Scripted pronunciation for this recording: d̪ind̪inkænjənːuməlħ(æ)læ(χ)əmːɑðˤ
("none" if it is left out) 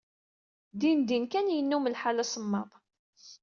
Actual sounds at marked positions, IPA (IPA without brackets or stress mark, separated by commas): a, s